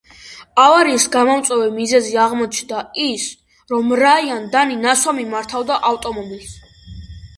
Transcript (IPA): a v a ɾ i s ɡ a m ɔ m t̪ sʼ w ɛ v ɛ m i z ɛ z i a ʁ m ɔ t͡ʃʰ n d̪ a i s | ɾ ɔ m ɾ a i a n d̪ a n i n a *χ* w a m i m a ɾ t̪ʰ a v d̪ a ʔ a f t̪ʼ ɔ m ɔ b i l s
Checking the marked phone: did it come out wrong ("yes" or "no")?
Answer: yes